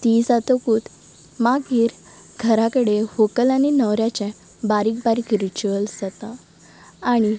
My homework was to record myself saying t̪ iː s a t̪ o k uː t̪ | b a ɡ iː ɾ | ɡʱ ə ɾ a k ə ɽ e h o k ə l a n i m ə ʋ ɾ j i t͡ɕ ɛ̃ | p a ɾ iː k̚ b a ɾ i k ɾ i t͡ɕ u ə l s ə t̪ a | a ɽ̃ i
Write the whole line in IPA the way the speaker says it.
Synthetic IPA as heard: t̪ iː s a t̪ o k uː t̪ | m a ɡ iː ɾ | ɡʱ ə ɾ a k ə ɽ e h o k ə l a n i n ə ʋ ɾ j a t͡ɕ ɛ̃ | b a ɾ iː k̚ b a ɾ i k ɾ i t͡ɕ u ə l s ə t̪ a | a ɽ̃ i

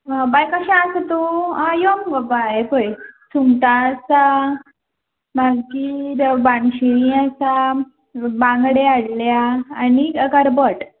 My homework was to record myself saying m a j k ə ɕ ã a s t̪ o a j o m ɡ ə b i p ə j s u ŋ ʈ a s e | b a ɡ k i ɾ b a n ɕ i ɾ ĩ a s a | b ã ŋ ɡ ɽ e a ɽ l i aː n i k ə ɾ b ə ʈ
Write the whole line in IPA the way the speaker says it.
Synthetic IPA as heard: b a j k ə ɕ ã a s t̪ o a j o m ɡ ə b a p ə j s u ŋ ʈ a s a | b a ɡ k i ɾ b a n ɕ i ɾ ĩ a s a | b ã ŋ ɡ ɽ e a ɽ l j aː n i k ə ɾ b ə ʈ

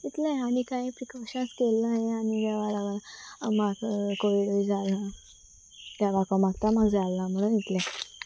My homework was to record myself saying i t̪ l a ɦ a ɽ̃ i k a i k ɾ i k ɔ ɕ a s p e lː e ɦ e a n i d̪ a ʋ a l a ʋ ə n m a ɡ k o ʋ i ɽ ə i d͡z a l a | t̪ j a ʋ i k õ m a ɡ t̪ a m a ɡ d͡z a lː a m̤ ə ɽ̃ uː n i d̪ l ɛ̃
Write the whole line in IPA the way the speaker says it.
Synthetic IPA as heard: i t̪ l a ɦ a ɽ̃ i k a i p ɾ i k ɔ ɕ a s k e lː a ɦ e a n i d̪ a ʋ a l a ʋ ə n m a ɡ k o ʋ i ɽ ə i d͡z a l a | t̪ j a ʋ a k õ m a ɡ t̪ a m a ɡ d͡z a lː a m̤ ə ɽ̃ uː n i t̪ l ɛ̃

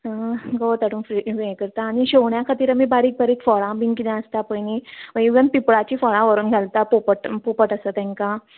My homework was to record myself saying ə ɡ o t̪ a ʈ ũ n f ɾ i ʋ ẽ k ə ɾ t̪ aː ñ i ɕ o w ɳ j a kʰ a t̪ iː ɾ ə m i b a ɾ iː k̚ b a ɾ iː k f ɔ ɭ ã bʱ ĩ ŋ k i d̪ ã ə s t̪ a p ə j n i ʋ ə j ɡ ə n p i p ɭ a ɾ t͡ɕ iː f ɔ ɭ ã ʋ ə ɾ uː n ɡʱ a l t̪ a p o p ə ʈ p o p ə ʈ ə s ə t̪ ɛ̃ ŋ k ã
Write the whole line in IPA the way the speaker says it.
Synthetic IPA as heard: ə ɡ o t̪ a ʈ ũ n f ɾ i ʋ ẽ k ə ɾ t̪ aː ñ i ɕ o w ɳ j a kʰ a t̪ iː ɾ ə m i b a ɾ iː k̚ b a ɾ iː k f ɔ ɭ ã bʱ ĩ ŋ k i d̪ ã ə s t̪ a p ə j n i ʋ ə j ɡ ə n p i p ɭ a t͡ɕ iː f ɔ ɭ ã ʋ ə ɾ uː n ɡʱ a l t̪ a p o p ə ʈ p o p ə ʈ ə s ə t̪ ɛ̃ ŋ k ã

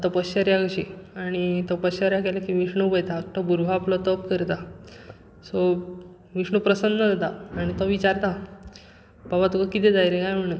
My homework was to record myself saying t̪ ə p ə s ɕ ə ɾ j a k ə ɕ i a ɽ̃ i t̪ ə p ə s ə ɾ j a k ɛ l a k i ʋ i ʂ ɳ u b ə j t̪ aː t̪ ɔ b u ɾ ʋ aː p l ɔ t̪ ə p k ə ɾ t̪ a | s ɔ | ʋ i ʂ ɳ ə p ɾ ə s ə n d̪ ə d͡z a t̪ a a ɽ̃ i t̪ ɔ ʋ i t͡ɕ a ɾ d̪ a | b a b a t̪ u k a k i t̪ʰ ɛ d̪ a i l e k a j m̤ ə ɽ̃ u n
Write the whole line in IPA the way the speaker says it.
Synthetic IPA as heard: t̪ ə p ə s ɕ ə ɾ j a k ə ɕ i a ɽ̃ i t̪ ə p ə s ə ɾ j a k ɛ l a k i ʋ i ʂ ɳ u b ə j t̪ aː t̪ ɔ b u ɾ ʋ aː p l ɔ t̪ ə p k ə ɾ t̪ a | s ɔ | ʋ i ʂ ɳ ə p ɾ ə s ə n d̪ ə d͡z a t̪ a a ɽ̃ i t̪ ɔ ʋ i t͡ɕ a ɾ t̪ a | b a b a t̪ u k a k i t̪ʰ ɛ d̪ a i ɾ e k a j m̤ ə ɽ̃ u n

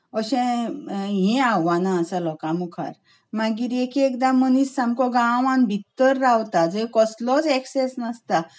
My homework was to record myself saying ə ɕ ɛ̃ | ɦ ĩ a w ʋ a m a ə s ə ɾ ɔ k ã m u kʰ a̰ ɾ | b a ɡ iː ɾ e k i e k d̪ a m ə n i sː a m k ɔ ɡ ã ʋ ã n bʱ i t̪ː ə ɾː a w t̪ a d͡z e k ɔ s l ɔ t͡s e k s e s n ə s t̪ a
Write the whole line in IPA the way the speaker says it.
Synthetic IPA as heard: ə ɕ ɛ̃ | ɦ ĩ a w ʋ a n a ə s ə l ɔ k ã m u kʰ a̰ ɾ | m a ɡ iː ɾ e k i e k d̪ a m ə n i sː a m k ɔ ɡ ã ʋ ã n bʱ i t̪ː ə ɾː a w t̪ a d͡z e k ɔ s l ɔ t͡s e k s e s n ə s t̪ a

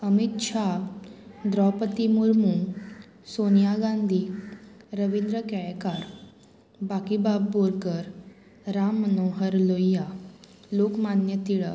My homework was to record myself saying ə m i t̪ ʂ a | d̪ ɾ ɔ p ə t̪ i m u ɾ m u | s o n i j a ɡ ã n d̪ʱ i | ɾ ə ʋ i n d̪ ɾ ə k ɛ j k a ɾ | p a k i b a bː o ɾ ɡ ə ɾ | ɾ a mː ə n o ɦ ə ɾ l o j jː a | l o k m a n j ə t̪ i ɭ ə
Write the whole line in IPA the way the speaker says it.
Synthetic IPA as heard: ə m i t̪ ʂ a | d̪ ɾ ɔ p ə t̪ i m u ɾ m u | s o n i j a ɡ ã n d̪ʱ i | ɾ ə ʋ i n d̪ ɾ ə k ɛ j k a ɾ | b a k i b a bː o ɾ ɡ ə ɾ | ɾ a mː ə n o ɦ ə ɾ l o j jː a | l o k m a n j ə t̪ i ɭ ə

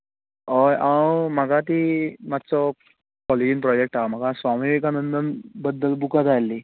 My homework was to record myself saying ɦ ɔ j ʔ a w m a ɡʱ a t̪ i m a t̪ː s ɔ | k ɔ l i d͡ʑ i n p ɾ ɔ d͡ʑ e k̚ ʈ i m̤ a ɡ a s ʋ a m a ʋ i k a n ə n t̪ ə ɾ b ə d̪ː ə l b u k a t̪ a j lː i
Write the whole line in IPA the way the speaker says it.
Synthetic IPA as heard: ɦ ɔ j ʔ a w m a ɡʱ a t̪ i m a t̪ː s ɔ | k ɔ l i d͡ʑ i n p ɾ ɔ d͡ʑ e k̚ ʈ a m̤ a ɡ a s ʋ a m i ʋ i k a n ə n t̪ ə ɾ b ə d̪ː ə l b u k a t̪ a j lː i

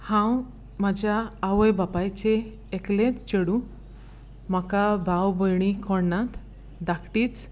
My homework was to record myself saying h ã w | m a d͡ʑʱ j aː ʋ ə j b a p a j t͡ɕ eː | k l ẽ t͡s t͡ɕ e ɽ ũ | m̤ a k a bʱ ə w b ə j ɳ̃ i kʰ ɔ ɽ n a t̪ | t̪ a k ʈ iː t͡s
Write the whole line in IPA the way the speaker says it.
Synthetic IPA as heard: h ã w | m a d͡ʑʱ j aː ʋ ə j b a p a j t͡ɕ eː | k l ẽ t͡s t͡ɕ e ɽ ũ | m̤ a k a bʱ a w b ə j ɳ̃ i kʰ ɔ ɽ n a t̪ | d̪ a k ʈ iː t͡s

